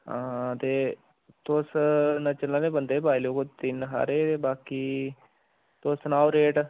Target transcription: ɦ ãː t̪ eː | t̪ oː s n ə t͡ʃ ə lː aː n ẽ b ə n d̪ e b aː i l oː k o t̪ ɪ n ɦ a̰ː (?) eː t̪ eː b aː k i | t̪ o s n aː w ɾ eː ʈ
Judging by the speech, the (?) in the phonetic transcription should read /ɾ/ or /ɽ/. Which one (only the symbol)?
ɾ